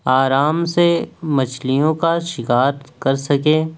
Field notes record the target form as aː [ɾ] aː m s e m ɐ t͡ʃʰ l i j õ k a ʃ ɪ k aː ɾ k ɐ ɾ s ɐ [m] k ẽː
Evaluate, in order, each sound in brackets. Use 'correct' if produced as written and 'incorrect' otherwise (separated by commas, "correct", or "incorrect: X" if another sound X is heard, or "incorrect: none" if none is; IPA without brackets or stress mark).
correct, incorrect: none